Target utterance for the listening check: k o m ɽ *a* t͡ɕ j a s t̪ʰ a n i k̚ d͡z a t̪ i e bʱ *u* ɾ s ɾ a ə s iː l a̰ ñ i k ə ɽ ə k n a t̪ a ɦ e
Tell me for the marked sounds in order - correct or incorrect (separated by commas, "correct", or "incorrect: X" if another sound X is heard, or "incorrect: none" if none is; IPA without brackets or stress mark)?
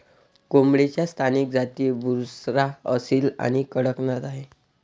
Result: incorrect: e, correct